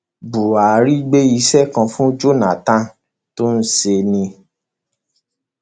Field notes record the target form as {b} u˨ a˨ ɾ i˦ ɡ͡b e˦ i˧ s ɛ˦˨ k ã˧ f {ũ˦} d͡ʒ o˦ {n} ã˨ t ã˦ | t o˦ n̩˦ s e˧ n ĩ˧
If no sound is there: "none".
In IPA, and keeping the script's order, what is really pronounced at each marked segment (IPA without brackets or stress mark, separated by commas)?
b, ũ˦, n